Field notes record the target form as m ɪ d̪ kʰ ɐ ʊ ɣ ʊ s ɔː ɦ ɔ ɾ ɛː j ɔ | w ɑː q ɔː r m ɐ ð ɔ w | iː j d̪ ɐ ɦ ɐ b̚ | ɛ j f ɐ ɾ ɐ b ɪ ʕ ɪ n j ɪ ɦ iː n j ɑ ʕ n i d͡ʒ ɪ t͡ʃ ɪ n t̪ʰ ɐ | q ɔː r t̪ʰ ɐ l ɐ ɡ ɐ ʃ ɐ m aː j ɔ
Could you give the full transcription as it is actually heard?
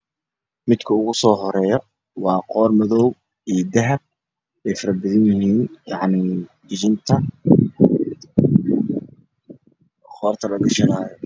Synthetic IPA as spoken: m ɪ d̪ kʰ ɐ ʊ ɣ ʊ s ɔː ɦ ɔ ɾ ɛː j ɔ | w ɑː q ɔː r m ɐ ð ɔ w | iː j d̪ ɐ ɦ ɐ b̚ | ɛ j f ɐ ɾ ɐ b ɪ ð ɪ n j ɪ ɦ iː n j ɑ ʕ n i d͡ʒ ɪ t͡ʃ ɪ n t̪ʰ ɐ | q ɔː r t̪ʰ ɐ l ɐ ɡ ɐ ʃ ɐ n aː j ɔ